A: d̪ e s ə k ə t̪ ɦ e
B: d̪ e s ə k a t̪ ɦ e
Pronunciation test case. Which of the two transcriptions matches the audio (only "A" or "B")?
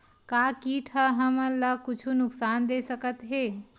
A